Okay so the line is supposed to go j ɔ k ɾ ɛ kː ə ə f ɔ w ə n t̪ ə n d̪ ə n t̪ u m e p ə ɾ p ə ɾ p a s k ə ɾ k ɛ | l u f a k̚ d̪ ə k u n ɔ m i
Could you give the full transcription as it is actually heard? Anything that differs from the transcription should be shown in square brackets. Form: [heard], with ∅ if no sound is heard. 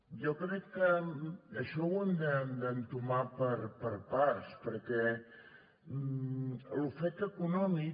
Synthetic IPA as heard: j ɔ k ɾ ɛ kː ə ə [ʃ] ɔ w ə n [d̪] ə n d̪ ə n t̪ u m [a] p ə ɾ p ə ɾ p a s [p] ə ɾ k ɛ | l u f [ɛ] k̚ [t̪] ə k u n ɔ m i